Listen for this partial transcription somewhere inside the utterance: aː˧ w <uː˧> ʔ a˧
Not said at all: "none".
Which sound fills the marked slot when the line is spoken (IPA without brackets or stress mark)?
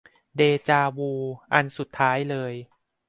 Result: uː˧